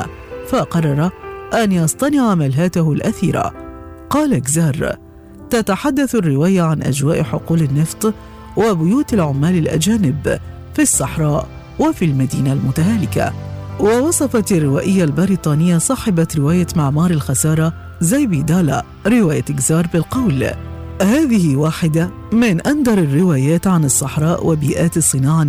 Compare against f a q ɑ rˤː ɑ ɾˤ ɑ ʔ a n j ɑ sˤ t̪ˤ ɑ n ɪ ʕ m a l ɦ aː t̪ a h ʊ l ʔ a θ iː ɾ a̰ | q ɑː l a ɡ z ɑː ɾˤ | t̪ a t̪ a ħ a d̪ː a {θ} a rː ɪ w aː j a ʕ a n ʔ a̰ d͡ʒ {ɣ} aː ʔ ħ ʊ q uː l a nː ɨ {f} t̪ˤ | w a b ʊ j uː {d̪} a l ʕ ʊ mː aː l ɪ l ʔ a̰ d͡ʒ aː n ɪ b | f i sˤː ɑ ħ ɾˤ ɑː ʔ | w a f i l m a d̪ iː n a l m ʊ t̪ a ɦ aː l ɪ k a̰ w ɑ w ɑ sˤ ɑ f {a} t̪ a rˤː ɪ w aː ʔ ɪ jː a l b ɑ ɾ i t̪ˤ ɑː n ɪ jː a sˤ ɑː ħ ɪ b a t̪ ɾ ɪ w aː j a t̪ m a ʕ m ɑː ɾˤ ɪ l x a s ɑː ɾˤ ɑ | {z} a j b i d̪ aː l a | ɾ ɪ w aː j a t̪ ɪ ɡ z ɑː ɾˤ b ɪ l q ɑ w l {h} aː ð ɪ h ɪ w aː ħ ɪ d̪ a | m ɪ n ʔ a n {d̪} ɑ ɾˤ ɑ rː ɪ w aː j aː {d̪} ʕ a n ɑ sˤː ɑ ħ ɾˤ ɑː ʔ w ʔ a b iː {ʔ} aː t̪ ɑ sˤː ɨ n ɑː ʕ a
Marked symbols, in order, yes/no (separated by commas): yes, no, yes, no, no, yes, yes, yes, no, yes